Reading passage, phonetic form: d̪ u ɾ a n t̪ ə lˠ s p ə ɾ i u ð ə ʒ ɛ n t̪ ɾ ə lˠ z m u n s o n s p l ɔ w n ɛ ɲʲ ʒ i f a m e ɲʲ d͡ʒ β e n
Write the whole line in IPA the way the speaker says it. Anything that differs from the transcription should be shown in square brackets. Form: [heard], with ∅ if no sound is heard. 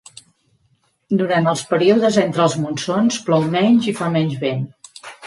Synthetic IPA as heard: d̪ u ɾ a n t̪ ə lˠ s p ə ɾ i u ð ə [z] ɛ n t̪ ɾ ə lˠ z m u n s o n s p l ɔ w [m] ɛ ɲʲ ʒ i f a m [ɛ] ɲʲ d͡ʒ β e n